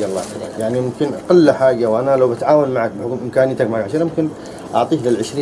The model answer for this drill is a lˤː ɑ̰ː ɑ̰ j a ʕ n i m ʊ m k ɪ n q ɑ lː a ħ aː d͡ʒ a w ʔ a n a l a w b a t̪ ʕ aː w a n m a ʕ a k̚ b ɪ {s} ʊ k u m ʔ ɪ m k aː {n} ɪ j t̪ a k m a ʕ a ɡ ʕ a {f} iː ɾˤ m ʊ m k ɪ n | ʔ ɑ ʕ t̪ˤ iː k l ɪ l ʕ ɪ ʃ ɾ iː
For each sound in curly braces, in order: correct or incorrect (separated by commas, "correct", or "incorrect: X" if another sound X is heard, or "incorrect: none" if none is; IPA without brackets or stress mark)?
incorrect: ħ, correct, incorrect: ʃ